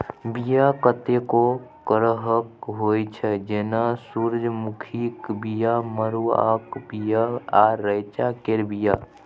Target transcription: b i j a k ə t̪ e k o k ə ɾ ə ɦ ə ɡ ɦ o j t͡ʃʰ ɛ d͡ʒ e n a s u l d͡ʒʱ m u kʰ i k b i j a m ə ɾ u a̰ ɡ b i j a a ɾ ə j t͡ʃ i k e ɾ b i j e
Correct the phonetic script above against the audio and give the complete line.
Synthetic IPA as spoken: b i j a k ə t̪ e k o k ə ɾ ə ɦ ə k ɦ o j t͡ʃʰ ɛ d͡ʒ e n a s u ɾ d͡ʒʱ m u kʰ i k b i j a m ə ɾ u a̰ k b i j a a ɾ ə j t͡ʃ a k e ɾ b i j a